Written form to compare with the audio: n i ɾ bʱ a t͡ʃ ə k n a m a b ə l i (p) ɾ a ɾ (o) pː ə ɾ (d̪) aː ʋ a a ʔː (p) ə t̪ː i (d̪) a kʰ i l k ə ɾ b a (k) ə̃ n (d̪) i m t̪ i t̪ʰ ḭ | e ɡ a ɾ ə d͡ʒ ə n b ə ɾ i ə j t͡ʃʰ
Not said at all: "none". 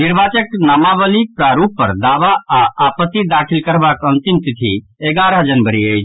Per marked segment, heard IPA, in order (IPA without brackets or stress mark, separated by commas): p, u, d̪, p, d̪, k, t̪